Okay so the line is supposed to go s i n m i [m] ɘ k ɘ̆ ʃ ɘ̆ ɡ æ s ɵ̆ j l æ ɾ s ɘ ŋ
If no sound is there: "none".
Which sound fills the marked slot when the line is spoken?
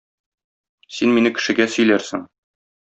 n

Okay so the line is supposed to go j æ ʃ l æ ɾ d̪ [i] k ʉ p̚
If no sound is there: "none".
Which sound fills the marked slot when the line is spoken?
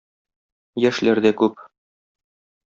æ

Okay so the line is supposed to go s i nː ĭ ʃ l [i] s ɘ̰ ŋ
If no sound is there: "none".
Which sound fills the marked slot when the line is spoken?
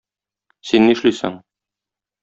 i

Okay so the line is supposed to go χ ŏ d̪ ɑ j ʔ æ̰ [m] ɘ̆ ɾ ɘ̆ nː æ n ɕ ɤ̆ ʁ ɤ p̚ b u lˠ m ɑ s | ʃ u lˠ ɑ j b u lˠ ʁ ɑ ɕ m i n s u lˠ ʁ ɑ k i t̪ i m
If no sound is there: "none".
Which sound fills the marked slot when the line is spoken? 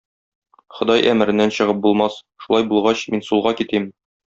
m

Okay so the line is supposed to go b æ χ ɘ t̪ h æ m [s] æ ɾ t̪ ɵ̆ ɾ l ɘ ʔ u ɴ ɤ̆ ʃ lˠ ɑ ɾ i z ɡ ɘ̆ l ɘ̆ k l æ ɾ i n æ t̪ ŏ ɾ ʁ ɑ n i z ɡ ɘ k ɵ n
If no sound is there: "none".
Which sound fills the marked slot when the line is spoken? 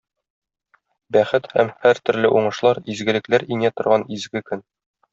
h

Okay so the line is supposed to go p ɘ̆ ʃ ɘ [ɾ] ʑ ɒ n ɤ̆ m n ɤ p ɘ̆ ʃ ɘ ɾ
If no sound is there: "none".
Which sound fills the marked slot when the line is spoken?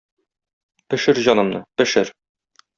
ɾ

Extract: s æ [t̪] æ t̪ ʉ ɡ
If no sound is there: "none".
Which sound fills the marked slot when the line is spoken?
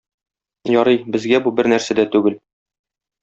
d̪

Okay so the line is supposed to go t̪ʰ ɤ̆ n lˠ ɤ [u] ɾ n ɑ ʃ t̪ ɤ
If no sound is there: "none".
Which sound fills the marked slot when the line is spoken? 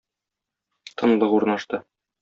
u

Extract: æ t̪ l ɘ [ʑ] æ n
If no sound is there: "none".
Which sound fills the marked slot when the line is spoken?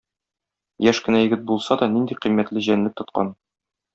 ʑ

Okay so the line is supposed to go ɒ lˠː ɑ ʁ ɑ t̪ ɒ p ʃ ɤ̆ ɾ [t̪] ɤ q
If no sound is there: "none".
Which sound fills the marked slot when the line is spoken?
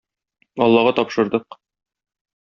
d̪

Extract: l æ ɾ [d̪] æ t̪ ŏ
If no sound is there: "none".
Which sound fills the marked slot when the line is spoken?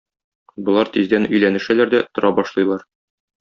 d̪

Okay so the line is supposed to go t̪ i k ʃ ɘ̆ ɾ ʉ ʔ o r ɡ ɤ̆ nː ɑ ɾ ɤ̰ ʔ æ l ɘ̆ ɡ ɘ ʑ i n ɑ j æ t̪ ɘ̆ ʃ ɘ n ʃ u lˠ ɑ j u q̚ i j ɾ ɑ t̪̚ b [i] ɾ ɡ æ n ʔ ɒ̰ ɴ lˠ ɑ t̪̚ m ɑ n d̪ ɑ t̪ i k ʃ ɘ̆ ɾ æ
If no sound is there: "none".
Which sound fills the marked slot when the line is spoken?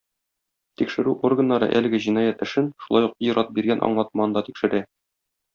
i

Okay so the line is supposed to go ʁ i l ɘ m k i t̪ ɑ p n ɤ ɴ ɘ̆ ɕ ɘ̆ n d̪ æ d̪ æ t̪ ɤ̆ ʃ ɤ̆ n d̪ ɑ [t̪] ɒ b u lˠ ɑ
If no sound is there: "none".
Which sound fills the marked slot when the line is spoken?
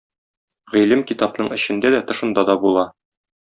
d̪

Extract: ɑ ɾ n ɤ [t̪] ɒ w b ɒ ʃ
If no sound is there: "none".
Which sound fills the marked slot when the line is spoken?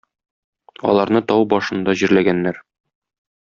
t̪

